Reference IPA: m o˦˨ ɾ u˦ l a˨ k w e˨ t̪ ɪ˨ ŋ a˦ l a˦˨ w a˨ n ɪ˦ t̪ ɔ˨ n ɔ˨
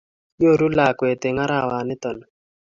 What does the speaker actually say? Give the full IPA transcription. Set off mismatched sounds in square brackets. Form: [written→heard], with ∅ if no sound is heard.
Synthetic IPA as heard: [m→ɲ] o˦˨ ɾ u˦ l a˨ k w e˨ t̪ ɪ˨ ŋ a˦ [l→ɾ] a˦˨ w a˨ n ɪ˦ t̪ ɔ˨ n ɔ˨

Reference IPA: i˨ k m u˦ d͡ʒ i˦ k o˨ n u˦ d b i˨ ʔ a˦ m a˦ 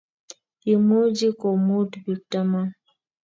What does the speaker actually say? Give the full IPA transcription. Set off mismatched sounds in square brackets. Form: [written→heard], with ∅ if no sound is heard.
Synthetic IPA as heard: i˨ [k→∅] m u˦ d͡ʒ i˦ k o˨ [n→m] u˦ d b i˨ [ʔ→t] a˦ m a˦

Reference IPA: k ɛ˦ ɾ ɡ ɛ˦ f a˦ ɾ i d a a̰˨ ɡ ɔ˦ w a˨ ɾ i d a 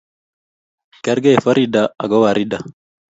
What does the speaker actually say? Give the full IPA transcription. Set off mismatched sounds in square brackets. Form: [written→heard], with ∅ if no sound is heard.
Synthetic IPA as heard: k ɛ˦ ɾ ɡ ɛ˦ f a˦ ɾ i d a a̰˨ ɡ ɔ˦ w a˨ ɾ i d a

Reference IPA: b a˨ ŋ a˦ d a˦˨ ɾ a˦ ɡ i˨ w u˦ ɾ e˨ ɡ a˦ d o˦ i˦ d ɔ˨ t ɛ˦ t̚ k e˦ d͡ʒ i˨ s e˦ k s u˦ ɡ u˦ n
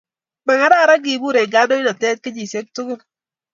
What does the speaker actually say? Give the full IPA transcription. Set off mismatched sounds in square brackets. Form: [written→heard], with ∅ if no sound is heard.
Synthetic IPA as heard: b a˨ ŋ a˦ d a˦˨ ɾ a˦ ɡ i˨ [w→b] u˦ ɾ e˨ ɡ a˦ d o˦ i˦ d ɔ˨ t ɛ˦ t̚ k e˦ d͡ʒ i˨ s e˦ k [s→t] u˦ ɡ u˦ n

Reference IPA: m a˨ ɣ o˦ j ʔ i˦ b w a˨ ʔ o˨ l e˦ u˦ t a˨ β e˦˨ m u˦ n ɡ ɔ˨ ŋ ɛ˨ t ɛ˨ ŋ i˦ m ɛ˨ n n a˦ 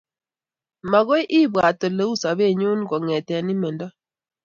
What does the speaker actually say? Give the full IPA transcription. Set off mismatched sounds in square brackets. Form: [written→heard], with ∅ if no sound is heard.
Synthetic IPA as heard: m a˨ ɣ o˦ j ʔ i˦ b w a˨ [ʔ→t] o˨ l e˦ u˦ [t→s] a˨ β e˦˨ [m→ɲ] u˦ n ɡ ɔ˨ ŋ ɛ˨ t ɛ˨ [ŋ→n] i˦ m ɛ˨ n [n→d] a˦

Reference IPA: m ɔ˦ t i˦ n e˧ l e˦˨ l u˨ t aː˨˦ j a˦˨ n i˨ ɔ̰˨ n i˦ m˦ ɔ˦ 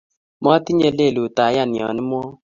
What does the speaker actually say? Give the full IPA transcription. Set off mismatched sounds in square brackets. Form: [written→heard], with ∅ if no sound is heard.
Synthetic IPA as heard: m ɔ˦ t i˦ [n→ɲ] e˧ l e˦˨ l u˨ t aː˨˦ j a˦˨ n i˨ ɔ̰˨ n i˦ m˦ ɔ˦

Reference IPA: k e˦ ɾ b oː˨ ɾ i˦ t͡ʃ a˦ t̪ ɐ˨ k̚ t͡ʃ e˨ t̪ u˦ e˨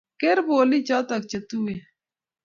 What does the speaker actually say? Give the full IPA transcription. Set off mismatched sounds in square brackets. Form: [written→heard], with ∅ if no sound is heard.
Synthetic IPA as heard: k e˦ ɾ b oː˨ [ɾ→l] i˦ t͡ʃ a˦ t̪ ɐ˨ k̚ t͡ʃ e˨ t̪ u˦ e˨

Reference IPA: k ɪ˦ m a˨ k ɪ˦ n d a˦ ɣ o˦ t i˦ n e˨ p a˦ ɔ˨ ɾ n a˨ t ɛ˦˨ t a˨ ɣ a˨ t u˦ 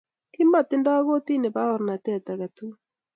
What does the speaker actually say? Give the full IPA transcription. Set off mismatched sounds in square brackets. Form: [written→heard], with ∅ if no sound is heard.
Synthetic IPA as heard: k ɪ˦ m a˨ [k→t] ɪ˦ n d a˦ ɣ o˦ t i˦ n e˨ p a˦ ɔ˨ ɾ n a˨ t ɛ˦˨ t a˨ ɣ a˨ t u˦

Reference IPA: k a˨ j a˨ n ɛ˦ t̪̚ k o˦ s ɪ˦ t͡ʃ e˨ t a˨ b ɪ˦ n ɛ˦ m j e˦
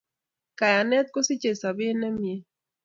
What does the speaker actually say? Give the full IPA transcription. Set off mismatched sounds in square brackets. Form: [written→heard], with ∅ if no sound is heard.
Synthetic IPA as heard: k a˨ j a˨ n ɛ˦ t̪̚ k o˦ s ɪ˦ t͡ʃ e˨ [t→s] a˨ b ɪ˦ n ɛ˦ m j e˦

